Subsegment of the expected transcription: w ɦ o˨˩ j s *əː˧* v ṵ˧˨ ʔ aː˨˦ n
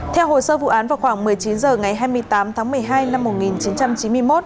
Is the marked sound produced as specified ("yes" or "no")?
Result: yes